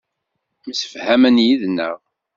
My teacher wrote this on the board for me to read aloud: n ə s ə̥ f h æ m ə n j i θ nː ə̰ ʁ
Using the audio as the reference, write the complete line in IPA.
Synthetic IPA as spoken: m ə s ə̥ f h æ m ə n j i ð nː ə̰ ʁ